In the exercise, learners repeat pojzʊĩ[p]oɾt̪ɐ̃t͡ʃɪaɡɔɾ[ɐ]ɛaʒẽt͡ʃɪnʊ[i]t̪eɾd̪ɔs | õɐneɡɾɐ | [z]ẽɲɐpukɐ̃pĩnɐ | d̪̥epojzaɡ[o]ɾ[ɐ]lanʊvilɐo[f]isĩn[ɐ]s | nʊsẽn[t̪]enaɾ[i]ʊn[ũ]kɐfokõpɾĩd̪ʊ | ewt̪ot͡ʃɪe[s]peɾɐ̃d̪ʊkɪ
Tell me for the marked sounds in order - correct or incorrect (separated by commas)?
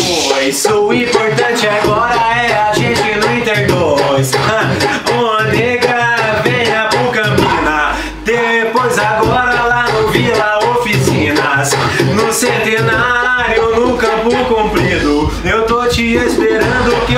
correct, correct, incorrect, incorrect, incorrect, correct, correct, correct, correct, incorrect, correct, correct